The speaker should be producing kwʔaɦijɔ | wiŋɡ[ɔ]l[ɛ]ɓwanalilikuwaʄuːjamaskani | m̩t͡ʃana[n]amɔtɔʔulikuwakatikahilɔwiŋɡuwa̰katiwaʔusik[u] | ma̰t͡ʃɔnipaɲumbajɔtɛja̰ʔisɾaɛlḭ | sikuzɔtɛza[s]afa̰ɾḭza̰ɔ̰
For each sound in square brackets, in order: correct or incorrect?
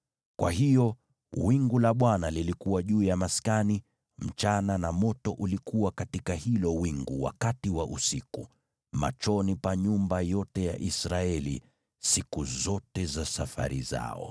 incorrect, incorrect, correct, correct, correct

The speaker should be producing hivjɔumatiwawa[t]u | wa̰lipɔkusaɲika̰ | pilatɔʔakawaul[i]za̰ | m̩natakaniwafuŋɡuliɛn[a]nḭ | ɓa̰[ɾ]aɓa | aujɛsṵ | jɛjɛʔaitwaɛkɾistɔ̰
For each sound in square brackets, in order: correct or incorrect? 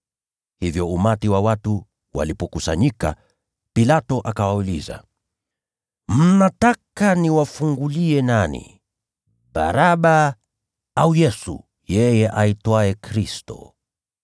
correct, correct, correct, correct

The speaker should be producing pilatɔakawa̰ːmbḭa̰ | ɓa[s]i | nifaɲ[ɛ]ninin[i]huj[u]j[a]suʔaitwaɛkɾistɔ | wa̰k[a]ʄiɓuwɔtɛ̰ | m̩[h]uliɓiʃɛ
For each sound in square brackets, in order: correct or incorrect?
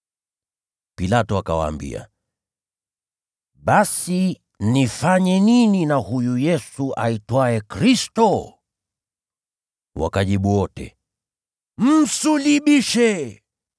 correct, correct, incorrect, correct, incorrect, correct, incorrect

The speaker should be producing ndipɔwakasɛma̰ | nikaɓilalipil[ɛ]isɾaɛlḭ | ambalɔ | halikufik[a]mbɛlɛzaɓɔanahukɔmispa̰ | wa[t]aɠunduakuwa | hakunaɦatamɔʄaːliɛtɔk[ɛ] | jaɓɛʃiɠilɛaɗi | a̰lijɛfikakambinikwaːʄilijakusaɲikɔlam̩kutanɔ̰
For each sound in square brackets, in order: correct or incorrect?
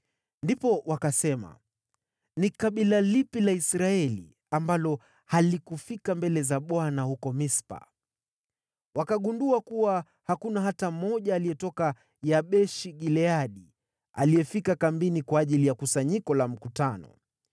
incorrect, correct, incorrect, incorrect

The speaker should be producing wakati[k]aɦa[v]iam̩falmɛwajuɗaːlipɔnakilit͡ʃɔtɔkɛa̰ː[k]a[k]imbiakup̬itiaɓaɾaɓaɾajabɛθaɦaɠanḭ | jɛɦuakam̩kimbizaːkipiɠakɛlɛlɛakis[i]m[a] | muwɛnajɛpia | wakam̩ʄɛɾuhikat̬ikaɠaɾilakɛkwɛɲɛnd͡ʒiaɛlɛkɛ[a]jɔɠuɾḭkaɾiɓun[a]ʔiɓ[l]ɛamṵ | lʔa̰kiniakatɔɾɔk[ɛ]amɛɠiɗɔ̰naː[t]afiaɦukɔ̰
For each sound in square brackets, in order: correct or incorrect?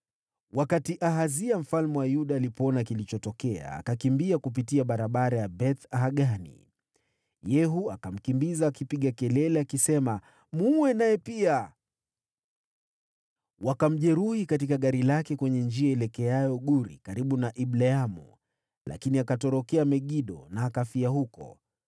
incorrect, incorrect, correct, correct, incorrect, correct, correct, correct, correct, correct, incorrect

